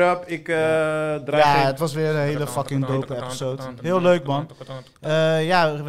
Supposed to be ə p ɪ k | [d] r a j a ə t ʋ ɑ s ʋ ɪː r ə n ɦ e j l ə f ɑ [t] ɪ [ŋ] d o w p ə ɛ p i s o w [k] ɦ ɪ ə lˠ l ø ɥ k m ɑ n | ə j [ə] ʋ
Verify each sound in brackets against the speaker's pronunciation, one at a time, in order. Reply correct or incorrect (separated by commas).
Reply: correct, incorrect, correct, incorrect, incorrect